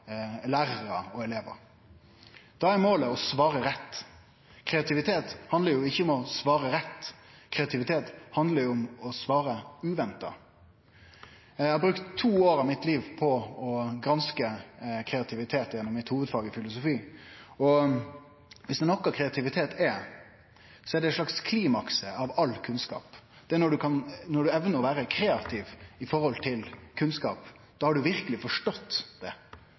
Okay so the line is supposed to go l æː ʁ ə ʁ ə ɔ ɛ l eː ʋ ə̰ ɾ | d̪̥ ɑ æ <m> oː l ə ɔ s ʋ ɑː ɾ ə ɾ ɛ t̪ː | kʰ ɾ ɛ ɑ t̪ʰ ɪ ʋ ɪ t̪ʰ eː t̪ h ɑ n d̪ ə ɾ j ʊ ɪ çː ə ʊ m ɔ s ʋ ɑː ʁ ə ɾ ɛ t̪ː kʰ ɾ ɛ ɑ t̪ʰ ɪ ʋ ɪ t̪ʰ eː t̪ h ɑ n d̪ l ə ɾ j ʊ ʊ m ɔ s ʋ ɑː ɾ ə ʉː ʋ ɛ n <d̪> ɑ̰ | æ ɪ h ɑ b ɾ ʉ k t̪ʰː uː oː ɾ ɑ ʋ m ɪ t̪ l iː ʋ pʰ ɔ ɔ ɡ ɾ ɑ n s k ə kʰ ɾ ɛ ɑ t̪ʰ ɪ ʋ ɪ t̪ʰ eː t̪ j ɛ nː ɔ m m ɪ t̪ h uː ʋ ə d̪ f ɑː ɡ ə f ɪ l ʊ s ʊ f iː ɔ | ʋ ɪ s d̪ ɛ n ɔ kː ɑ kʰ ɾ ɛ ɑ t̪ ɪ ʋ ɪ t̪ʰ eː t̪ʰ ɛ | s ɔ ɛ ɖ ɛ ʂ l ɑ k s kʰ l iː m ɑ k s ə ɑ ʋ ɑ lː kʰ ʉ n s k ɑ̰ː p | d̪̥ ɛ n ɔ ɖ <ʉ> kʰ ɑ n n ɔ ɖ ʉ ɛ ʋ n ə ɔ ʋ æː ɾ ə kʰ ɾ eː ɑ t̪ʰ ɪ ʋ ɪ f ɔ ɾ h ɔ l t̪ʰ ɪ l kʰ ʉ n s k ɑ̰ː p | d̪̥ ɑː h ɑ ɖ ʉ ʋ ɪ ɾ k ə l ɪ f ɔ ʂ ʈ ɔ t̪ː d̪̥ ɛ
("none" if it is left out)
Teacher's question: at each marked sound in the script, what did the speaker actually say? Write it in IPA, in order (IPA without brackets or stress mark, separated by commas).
m, t̪, ʉ